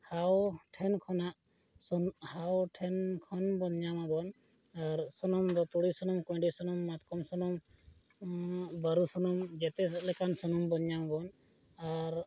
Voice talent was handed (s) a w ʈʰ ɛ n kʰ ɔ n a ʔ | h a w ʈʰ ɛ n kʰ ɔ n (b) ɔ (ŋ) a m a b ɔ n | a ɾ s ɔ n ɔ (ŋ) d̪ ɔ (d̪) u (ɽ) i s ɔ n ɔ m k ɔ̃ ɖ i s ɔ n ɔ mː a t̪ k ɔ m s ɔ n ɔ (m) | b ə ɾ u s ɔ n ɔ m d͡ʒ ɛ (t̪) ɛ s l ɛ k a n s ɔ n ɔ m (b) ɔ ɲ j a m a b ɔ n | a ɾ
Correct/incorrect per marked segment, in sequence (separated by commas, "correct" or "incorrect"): incorrect, correct, incorrect, incorrect, incorrect, correct, correct, correct, correct